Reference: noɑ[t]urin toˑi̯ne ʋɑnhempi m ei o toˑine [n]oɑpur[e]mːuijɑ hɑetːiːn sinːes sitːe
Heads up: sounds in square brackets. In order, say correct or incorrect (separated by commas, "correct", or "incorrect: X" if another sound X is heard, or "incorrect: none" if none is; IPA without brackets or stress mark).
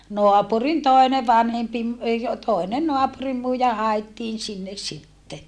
incorrect: p, correct, incorrect: i